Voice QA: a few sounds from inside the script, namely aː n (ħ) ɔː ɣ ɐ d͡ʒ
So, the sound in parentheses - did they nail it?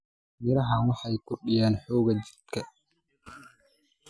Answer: yes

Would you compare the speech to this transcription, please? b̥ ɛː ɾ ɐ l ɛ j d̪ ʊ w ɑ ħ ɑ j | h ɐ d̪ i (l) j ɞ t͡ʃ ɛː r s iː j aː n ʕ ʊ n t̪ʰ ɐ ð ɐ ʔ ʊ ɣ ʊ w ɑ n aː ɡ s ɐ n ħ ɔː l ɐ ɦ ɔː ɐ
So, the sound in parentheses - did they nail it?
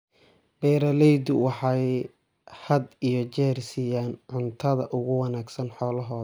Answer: no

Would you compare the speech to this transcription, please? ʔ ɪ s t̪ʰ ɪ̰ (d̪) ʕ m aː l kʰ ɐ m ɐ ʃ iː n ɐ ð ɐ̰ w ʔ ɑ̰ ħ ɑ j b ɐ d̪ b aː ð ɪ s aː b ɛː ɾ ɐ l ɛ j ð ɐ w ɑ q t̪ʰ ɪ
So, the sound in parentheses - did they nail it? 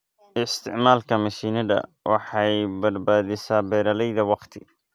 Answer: no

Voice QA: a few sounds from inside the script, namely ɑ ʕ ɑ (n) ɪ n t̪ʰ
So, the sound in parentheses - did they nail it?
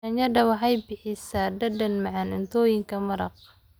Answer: yes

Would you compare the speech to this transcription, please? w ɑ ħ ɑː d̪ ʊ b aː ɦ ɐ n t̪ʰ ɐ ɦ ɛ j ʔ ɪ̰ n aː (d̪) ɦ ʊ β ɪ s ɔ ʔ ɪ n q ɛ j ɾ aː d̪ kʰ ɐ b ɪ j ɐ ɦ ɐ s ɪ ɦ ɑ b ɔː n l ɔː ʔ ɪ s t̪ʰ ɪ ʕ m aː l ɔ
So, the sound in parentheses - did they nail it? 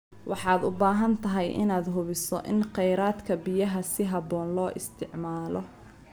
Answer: yes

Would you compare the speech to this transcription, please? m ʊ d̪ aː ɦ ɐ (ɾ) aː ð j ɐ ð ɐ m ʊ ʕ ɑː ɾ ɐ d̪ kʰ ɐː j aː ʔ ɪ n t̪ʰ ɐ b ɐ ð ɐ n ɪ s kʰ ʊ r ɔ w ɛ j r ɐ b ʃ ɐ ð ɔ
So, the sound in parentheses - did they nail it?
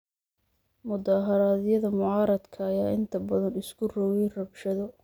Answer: yes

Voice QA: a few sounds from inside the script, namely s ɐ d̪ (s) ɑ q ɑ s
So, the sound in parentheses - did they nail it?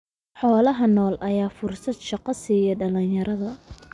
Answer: no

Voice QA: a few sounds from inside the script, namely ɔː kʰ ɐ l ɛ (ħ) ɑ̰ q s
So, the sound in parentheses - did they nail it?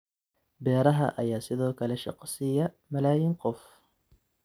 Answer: no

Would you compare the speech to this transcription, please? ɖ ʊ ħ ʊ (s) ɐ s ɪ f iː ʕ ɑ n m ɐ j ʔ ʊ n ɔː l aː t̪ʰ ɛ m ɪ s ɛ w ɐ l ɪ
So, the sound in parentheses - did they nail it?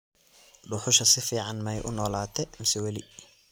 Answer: no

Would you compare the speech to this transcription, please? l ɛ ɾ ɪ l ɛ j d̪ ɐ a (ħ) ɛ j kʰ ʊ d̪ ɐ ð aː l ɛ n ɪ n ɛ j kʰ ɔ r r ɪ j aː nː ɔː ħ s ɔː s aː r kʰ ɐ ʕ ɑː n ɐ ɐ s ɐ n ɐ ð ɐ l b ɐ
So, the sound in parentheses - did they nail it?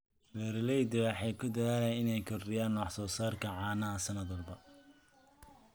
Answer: yes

